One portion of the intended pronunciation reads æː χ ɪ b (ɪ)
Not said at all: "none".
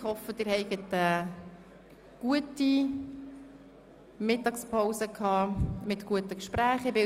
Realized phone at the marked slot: ɪ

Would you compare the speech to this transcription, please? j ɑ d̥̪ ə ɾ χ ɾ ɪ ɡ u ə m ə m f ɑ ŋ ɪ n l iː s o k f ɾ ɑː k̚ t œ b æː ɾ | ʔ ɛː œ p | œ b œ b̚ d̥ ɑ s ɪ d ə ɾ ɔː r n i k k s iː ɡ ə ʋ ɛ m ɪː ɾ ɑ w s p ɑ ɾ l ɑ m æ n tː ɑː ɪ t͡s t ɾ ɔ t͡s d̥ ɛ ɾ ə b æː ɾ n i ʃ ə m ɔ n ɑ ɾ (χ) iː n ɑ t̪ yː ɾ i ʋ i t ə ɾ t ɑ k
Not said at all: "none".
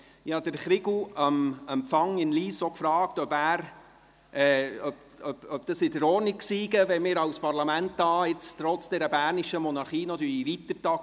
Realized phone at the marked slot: χ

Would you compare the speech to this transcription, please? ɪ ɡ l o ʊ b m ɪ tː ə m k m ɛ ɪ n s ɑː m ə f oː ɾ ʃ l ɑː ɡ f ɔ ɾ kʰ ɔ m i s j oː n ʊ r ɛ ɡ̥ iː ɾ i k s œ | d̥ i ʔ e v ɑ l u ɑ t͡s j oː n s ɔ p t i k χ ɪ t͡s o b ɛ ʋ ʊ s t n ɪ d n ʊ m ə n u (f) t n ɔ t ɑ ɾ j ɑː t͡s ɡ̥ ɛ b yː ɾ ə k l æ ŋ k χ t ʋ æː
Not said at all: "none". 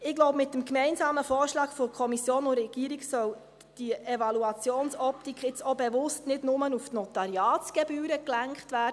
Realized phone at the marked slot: f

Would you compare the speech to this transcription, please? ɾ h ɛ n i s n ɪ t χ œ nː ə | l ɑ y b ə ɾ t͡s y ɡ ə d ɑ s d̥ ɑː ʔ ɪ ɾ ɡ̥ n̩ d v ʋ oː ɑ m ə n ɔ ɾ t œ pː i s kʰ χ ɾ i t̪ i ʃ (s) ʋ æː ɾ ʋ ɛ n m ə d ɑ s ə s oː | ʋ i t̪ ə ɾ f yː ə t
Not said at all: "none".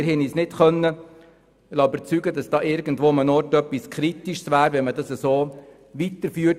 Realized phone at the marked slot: s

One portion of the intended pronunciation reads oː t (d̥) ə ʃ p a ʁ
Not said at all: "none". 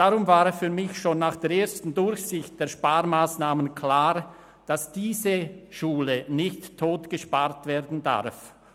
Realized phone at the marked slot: ɡ̥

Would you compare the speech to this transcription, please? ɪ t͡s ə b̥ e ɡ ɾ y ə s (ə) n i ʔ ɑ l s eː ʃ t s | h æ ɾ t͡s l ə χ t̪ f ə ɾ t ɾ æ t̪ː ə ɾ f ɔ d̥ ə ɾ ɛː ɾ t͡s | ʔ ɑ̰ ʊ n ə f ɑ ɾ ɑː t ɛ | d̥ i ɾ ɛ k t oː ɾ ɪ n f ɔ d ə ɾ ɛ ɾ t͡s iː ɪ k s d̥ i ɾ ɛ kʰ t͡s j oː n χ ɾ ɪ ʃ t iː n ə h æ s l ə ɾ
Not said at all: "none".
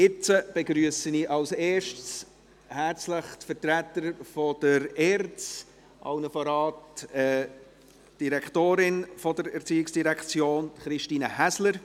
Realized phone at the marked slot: ə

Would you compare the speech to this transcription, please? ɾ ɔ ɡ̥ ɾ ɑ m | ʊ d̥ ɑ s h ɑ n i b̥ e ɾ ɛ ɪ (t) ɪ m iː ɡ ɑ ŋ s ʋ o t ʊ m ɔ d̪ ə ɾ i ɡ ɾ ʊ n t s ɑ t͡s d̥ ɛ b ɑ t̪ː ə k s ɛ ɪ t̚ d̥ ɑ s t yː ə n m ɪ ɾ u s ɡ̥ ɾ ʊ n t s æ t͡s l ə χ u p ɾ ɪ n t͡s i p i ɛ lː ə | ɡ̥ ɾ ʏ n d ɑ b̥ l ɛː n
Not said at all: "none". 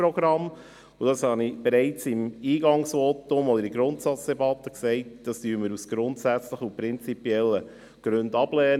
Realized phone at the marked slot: t͡s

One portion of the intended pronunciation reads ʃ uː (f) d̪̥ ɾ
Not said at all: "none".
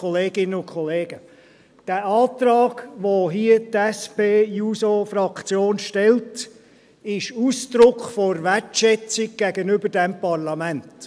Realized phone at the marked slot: s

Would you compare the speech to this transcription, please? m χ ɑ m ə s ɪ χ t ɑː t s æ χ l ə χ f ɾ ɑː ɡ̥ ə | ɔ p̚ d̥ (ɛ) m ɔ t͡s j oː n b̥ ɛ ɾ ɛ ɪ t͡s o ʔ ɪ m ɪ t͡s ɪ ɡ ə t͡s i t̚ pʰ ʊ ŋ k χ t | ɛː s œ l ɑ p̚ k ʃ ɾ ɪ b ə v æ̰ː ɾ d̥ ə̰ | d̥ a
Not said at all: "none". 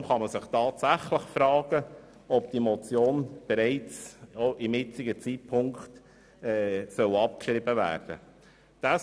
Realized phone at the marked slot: i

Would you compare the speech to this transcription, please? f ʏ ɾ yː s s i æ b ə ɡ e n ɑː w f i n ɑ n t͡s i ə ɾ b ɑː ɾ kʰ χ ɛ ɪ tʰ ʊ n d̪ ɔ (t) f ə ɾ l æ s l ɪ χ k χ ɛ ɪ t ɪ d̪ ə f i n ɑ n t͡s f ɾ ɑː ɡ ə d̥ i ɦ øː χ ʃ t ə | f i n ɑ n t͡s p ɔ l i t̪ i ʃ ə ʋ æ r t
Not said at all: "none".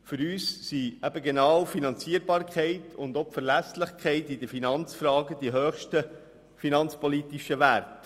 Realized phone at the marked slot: p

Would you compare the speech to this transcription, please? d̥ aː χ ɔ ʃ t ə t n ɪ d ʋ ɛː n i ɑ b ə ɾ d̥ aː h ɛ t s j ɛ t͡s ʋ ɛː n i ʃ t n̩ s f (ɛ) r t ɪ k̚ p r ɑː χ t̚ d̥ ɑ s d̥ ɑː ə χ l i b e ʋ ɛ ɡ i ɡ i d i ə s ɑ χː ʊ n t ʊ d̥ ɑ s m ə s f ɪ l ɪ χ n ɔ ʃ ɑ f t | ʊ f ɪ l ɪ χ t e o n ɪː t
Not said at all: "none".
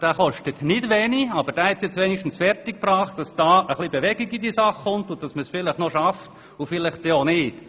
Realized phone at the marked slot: ɛ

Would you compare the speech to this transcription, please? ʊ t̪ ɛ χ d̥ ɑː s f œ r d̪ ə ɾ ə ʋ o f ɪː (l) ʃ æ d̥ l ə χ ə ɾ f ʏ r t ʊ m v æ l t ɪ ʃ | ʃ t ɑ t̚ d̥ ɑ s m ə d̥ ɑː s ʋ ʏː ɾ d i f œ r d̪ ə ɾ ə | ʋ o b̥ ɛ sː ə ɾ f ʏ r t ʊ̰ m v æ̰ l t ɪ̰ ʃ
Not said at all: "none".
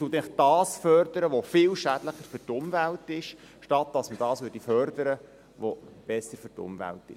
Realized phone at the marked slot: l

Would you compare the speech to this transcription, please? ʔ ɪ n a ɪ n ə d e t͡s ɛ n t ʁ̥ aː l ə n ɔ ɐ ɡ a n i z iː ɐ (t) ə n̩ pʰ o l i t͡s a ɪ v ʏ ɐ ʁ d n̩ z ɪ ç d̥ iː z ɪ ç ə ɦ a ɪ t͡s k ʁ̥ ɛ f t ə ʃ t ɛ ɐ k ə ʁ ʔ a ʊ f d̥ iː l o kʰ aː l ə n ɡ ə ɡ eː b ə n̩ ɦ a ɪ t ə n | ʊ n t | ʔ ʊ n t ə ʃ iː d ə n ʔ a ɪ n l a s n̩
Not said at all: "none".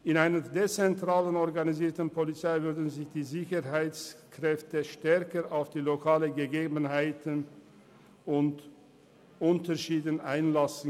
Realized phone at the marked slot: t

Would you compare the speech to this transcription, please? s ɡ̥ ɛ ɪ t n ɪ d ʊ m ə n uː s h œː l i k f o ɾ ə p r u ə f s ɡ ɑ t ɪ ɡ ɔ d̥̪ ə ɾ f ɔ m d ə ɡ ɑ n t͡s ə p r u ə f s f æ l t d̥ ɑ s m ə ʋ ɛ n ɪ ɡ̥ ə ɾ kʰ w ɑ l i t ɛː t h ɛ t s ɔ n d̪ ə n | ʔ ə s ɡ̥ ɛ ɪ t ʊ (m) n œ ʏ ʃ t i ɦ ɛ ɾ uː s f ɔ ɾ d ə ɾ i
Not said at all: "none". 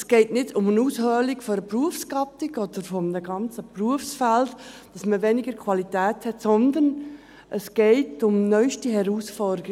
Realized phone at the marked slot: m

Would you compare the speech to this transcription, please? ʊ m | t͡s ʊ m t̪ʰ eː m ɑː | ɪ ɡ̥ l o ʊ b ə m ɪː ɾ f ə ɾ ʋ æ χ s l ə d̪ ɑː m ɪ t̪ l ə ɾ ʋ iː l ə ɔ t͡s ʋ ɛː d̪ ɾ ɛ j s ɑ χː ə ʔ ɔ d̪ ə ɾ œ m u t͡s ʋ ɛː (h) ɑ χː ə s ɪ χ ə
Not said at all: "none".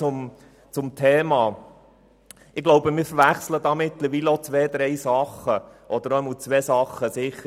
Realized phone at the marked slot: s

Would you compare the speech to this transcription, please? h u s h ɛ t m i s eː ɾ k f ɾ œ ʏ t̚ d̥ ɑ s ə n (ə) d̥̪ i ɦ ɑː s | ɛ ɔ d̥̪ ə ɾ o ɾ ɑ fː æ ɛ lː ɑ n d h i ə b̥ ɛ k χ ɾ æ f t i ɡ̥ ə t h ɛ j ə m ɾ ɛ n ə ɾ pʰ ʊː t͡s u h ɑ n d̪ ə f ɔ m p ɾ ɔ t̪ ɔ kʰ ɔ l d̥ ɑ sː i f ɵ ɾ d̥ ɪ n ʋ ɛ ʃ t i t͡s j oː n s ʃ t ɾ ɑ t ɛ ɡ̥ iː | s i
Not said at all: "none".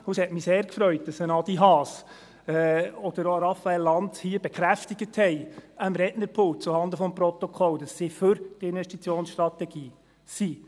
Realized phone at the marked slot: ɑ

